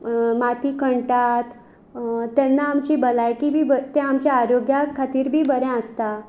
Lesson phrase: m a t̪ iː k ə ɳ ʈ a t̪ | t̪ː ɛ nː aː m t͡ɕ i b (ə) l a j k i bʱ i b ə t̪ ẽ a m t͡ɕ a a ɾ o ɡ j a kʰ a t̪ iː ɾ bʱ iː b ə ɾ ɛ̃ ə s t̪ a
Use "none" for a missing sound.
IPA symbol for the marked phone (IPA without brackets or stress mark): ə